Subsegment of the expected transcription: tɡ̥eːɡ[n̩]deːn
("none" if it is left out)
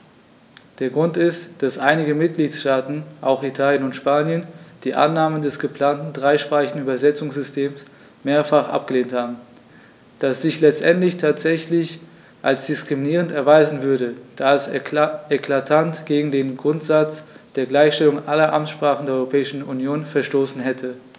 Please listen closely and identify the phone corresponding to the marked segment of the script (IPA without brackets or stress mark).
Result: ŋ̩